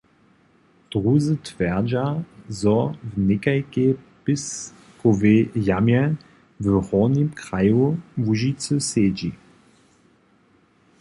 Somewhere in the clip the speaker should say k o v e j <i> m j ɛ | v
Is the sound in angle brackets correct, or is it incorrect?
incorrect